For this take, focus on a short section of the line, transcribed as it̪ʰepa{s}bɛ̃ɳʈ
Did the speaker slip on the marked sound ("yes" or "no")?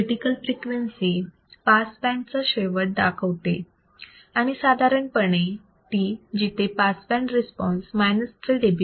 no